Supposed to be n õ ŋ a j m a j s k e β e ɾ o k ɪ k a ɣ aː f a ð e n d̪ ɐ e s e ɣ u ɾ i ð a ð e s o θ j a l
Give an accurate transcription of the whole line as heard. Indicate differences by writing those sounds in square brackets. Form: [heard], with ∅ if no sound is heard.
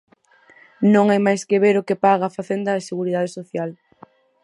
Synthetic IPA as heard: n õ ŋ a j m a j s k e β e ɾ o k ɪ [p] a ɣ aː f a [θ] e n d̪ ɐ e s e ɣ u ɾ i ð a ð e s o θ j a l